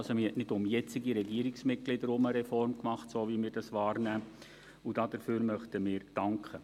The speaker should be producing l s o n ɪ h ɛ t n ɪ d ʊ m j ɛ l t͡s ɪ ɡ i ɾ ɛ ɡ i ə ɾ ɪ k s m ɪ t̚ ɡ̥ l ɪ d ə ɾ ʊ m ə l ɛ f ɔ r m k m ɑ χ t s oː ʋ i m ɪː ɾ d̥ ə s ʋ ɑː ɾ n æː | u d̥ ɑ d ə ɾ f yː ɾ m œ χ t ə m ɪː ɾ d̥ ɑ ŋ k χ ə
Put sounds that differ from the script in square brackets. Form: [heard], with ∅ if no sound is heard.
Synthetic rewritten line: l s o [m] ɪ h ɛ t n ɪ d ʊ m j ɛ [∅] t͡s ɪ ɡ i ɾ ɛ ɡ i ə ɾ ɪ k s m ɪ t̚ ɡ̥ l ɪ d ə ɾ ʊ m ə [ɾ] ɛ f ɔ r m k m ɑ χ t s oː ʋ i m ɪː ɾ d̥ [ɑ] s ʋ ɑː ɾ n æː | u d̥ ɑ d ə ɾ f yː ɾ m œ χ t ə m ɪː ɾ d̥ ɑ ŋ k χ ə